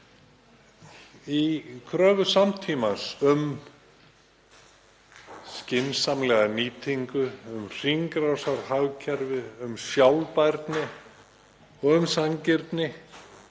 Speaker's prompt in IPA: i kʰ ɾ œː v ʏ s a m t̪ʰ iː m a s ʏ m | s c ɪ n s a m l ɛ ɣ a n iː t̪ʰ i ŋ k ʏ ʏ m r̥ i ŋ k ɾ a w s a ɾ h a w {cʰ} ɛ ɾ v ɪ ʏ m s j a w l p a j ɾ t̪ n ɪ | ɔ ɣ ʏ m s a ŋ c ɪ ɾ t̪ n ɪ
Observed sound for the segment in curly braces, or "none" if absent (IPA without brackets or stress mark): cʰ